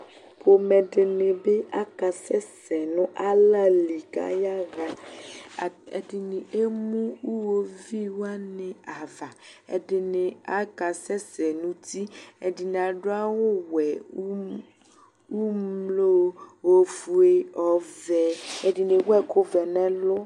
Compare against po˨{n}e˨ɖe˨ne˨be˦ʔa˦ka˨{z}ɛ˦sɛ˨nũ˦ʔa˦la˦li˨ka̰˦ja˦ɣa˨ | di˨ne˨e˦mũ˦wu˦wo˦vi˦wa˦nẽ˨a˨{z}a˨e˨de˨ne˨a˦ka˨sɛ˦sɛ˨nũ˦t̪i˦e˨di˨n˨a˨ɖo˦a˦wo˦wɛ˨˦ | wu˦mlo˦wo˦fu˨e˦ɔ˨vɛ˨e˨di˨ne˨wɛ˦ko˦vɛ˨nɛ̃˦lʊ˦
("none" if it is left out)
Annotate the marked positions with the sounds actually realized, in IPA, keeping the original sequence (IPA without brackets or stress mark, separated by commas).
m, s, v